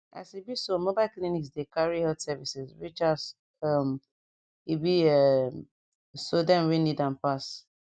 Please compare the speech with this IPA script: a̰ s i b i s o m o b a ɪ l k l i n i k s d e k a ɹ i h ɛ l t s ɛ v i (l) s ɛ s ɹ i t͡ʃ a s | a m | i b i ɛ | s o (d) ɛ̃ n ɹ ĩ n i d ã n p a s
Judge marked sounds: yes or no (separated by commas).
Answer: no, yes